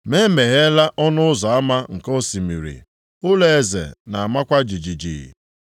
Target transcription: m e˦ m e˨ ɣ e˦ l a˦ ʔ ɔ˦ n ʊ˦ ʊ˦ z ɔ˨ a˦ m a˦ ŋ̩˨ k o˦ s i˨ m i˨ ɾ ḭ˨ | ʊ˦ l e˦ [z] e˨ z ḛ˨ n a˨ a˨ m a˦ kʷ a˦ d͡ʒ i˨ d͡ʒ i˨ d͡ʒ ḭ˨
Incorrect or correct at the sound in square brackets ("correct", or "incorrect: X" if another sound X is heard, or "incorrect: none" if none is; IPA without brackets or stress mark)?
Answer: incorrect: none